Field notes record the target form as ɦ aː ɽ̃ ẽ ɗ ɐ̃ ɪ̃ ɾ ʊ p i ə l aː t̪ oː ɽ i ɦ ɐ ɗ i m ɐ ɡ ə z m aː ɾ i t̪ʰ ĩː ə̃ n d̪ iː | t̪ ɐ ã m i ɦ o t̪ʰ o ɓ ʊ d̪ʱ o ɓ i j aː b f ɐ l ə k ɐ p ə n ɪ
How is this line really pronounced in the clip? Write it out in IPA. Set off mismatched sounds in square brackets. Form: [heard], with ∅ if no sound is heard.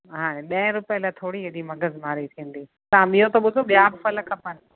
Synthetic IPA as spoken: ɦ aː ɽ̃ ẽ ɗ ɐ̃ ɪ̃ ɾ ʊ p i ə l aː [t̪ʰ] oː ɽ i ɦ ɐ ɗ i m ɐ ɡ ə z m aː ɾ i t̪ʰ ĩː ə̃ n d̪ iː | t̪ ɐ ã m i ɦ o [t̪] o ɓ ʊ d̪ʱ o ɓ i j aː b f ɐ l ə k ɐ p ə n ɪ